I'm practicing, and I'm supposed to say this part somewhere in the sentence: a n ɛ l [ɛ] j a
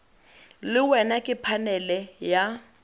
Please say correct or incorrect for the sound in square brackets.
correct